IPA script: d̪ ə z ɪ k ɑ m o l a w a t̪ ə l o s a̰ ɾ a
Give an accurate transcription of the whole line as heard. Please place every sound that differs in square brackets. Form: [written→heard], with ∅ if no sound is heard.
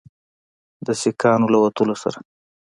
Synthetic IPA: d̪ ə [z→s] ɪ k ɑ [m→n] o l a w a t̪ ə l o s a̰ ɾ a